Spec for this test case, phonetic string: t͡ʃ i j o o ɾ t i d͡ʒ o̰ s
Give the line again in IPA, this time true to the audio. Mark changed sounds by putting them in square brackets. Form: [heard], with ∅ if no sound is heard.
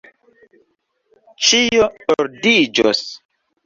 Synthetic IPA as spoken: t͡ʃ i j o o ɾ [d] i d͡ʒ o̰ s